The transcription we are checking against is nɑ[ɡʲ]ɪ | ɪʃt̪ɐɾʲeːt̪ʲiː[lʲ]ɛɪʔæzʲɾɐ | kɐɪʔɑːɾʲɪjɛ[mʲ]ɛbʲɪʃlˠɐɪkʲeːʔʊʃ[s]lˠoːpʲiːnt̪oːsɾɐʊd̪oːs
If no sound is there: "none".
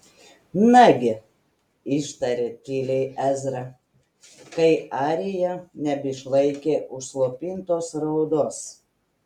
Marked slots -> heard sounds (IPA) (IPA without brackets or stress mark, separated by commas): ɡʲ, lʲ, nʲ, s